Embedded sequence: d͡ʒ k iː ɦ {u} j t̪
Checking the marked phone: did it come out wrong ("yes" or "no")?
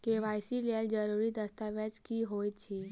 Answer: yes